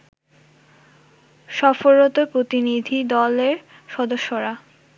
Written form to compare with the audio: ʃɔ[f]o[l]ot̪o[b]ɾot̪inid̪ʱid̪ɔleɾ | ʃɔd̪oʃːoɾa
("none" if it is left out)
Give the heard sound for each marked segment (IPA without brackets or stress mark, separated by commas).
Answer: f, ɾ, p